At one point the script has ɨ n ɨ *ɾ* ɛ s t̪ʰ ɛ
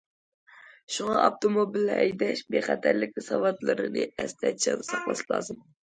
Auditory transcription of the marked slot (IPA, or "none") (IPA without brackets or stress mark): none